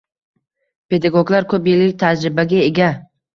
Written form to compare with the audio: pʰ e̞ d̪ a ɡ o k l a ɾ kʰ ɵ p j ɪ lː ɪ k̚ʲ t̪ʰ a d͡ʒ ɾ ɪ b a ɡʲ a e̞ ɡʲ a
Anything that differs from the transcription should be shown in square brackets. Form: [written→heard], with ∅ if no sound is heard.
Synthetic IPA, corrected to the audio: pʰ e̞ d̪ a ɡ o [k→ɡ] l a ɾ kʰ ɵ p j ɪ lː ɪ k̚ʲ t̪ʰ a d͡ʒ ɾ ɪ b a ɡʲ a e̞ ɡʲ a